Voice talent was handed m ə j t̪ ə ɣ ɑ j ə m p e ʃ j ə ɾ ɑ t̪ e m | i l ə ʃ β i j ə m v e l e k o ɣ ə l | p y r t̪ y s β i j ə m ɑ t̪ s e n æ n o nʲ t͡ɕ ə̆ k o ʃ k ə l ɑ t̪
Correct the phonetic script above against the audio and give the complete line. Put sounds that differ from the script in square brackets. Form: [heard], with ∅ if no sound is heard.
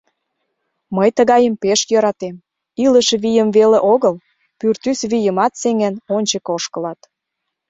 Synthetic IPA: m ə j t̪ ə ɣ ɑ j ə m p e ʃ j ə ɾ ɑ t̪ e m | i l ə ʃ β i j ə m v e l e [ʔ] o ɣ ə l | p y r t̪ y s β i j ə m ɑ t̪ s e [ŋ] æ n o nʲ t͡ɕ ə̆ k o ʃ k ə l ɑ t̪